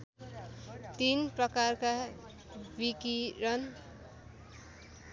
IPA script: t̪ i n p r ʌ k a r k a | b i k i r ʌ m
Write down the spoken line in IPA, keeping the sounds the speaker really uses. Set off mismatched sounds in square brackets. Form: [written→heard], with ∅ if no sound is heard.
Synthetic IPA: t̪ i n p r ʌ k a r k a | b i k i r ʌ [m→n]